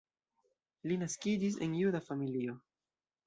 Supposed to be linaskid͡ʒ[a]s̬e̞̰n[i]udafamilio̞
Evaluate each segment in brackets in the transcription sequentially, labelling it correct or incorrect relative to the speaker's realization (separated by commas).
incorrect, incorrect